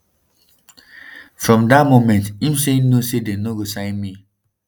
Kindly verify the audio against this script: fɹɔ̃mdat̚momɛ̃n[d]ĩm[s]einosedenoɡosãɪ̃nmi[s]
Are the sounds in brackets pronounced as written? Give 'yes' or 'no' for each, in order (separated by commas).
no, yes, no